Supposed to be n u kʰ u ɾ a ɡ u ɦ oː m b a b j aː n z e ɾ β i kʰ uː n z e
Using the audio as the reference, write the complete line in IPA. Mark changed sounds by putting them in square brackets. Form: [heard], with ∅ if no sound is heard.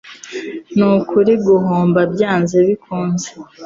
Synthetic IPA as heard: n u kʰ u ɾ [i] ɡ u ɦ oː m b a b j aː n z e [∅] β i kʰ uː n z e